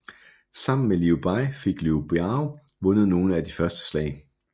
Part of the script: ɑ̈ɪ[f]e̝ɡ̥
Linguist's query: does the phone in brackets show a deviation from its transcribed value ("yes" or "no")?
no